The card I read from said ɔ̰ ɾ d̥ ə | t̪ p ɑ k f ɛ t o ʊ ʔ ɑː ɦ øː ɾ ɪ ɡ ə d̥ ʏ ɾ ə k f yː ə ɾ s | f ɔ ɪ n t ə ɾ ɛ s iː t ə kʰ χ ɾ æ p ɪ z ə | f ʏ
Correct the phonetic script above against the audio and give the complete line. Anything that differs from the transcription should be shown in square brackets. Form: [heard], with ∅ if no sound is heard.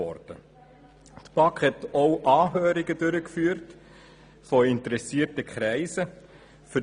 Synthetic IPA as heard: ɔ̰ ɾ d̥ ə | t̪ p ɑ k [h] ɛ t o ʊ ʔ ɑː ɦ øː ɾ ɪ ɡ ə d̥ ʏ ɾ ə k f yː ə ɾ [t] | f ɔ ɪ n t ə ɾ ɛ s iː t ə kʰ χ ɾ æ [∅] ɪ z ə | f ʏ